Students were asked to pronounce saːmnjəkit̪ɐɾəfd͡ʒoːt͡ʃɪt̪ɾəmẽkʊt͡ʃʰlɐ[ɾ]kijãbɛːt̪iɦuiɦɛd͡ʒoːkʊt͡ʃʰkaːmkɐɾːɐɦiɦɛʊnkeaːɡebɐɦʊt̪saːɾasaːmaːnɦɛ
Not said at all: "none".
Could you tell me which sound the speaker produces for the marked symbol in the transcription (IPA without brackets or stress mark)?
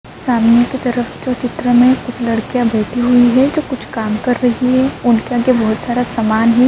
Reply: ɽ